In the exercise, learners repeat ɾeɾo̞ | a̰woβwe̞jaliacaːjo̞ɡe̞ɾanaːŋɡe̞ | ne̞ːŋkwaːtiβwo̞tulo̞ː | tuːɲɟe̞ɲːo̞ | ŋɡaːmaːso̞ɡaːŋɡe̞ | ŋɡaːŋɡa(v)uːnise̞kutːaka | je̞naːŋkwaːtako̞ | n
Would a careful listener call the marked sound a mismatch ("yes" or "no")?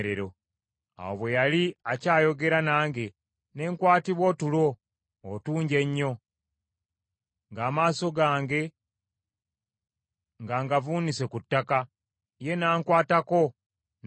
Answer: no